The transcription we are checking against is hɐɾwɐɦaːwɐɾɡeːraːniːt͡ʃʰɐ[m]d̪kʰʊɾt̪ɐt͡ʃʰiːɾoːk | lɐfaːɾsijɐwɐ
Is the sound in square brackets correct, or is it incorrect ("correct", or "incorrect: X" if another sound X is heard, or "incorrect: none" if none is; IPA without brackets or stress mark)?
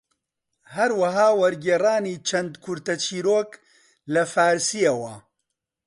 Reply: incorrect: n